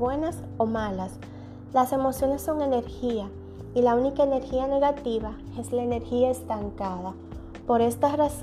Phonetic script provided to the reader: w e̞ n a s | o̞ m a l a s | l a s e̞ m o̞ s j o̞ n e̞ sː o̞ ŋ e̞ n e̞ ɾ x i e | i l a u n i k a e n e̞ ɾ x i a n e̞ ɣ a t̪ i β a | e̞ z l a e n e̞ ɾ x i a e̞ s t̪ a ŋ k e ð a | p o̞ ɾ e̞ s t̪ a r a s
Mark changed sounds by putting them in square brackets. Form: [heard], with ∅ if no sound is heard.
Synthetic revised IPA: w e̞ n a s | o̞ m a l a s | l a s e̞ m o̞ s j o̞ n e̞ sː o̞ ŋ e̞ n e̞ ɾ x i [a] | i l a u n i k a e n e̞ ɾ x i a n e̞ ɣ a t̪ i β a | e̞ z l a e n e̞ ɾ x i a e̞ s t̪ a ŋ k [a] ð a | p o̞ ɾ e̞ s t̪ a r a s